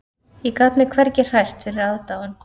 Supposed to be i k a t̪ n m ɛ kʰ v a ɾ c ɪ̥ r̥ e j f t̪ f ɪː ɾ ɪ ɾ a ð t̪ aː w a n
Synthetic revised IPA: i k a t̪ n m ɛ kʰ v ɛ ɾ c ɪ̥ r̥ a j s t̪ f ɪ ɾ ɪ ɾ a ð t̪ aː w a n